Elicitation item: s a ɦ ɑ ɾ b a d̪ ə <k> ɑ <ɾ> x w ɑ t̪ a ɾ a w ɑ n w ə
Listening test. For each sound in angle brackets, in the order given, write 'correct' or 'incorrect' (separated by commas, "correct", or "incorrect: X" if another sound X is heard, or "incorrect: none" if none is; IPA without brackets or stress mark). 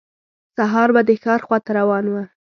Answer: incorrect: x, correct